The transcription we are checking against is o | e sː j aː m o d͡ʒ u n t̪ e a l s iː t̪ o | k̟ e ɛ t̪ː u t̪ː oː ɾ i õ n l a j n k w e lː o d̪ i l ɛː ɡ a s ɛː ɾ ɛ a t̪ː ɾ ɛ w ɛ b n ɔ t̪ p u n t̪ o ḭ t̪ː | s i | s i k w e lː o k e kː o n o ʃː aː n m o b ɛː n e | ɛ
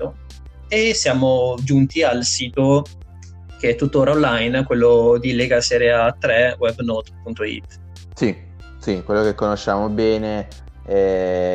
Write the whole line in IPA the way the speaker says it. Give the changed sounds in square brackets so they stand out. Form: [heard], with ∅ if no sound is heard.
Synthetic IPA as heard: o | e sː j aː m o d͡ʒ u n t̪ [i] a l s iː t̪ o | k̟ e ɛ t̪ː u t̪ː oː ɾ [a] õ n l a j n k w e lː o d̪ i l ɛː ɡ a s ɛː ɾ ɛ a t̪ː ɾ ɛ w ɛ b n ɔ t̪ p u n t̪ o ḭ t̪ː | s i | s i k w e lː o k e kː o n o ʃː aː [∅] m o b ɛː n e | ɛ